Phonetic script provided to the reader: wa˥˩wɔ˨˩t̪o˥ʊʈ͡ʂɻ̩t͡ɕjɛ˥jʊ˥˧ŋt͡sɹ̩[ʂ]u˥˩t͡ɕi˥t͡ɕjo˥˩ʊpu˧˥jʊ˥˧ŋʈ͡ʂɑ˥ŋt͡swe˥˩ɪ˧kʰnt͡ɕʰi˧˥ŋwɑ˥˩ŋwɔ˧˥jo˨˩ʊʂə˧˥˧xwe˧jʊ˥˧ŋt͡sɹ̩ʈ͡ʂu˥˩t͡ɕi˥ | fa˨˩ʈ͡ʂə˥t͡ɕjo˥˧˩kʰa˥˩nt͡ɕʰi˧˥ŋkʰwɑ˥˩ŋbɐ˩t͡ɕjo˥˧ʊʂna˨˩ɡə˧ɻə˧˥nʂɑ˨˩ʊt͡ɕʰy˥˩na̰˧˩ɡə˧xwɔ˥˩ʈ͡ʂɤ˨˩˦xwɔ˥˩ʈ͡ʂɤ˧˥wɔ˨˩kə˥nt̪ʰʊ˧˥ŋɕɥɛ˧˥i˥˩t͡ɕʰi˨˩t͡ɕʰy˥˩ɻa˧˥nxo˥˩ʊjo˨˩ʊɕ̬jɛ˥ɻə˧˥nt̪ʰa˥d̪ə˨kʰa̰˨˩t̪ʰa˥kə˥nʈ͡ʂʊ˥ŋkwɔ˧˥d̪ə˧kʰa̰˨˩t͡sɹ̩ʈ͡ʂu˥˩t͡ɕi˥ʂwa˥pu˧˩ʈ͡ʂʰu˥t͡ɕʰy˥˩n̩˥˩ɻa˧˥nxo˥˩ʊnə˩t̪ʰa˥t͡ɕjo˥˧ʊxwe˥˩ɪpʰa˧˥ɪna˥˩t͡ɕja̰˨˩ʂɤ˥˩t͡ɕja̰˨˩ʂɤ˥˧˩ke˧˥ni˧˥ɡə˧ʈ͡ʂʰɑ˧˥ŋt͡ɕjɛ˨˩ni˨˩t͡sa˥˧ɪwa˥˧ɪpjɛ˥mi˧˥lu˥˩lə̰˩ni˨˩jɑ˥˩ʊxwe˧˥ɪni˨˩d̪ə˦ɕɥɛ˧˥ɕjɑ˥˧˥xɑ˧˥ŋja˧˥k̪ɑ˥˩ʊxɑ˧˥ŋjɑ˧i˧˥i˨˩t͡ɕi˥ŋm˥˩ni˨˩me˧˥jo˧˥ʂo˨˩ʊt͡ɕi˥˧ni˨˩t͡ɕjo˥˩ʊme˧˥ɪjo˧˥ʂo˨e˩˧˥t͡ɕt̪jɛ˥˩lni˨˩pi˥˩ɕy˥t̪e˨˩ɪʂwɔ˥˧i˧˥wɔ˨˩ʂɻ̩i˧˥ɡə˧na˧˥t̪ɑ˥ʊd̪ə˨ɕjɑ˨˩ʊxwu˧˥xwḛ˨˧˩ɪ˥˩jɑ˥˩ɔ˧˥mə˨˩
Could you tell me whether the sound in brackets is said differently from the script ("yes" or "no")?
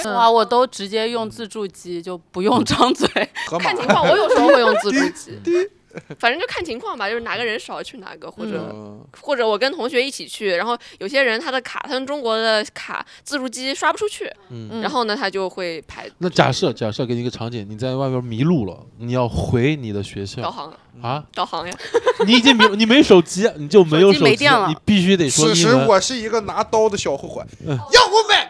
yes